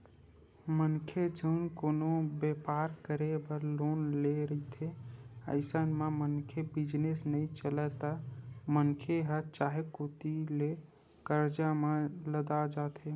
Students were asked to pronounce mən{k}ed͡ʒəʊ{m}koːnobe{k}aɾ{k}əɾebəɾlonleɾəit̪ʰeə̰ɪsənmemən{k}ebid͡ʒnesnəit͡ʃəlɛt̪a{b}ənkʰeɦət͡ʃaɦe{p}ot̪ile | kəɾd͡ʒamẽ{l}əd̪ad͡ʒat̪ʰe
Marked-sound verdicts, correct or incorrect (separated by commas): incorrect, incorrect, incorrect, correct, incorrect, incorrect, incorrect, correct